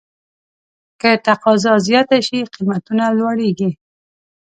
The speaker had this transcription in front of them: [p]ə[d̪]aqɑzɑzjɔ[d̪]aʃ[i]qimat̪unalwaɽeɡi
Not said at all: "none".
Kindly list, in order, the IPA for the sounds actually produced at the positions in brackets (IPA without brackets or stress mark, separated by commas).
k, t̪, t̪, i